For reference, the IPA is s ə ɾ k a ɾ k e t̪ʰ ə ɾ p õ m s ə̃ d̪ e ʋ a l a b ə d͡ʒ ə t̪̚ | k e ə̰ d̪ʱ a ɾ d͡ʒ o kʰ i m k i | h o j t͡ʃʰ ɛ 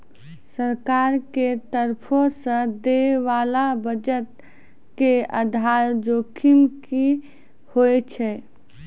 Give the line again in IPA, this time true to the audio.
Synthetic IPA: s ə ɾ k a ɾ k e t̪ ə ɾ pʰ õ s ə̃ d̪ e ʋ a l a b ə d͡ʒ ə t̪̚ | k e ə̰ d̪ʱ a ɾ d͡ʒ o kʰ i m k i | h o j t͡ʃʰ ɛ